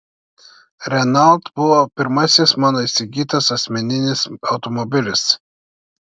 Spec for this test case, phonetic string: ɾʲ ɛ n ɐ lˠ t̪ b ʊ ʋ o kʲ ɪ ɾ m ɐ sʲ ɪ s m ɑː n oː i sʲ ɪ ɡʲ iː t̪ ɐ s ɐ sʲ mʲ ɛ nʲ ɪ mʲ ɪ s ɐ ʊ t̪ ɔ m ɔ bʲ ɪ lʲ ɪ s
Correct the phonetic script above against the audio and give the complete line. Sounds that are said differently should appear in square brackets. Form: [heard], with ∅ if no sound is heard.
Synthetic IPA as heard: ɾʲ ɛ n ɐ lˠ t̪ b ʊ ʋ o [pʲ] ɪ ɾ m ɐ sʲ ɪ s m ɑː n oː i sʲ ɪ ɡʲ iː t̪ ɐ s ɐ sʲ mʲ ɛ nʲ ɪ [nʲ] ɪ s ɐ ʊ t̪ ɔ m ɔ bʲ ɪ lʲ ɪ s